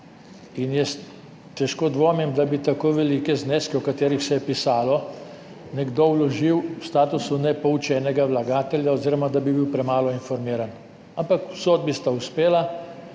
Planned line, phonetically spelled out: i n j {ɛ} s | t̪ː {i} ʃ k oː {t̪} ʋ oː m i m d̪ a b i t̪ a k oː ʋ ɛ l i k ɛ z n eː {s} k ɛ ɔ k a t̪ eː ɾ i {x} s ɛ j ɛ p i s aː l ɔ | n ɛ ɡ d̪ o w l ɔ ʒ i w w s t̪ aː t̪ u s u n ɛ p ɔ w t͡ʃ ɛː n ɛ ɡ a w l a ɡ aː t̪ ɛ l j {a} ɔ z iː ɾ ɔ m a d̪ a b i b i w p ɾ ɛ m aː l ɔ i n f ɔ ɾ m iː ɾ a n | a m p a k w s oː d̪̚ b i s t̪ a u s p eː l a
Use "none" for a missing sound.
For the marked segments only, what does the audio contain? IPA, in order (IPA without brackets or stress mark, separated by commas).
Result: ɛ, ɛ, d̪, s, x, a